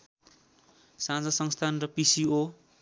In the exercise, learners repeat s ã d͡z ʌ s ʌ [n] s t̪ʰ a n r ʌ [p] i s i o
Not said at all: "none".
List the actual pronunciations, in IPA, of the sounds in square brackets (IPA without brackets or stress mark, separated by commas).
ŋ, p